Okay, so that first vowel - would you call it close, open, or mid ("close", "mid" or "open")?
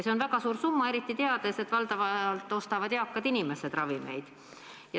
mid